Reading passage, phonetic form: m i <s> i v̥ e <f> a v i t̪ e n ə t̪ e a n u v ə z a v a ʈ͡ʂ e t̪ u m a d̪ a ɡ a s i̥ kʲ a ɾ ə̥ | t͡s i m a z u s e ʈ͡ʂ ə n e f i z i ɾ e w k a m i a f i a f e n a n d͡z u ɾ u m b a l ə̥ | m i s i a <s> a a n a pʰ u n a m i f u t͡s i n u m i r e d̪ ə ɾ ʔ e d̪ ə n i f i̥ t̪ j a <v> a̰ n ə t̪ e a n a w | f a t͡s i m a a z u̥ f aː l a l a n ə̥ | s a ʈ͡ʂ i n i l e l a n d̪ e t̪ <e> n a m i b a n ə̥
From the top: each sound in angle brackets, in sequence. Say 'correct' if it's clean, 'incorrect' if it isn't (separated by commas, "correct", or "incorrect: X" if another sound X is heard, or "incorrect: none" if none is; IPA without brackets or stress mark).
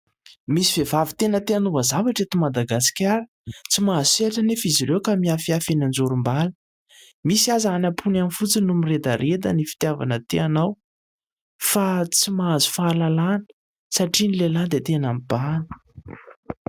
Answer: correct, incorrect: v, incorrect: z, correct, correct